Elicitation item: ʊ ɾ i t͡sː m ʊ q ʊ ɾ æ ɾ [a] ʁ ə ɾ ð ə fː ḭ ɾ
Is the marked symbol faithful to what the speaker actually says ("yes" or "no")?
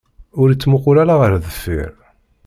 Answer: yes